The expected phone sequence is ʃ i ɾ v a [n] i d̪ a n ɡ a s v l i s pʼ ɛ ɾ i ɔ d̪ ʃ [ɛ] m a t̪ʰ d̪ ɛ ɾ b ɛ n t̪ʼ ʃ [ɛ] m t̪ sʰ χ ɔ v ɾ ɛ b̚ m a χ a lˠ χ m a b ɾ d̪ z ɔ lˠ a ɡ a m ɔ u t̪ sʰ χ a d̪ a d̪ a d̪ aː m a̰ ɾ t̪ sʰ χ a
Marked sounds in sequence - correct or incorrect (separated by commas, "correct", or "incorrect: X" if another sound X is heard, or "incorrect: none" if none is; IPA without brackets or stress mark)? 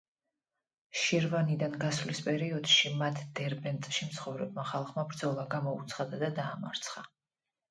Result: correct, incorrect: i, incorrect: i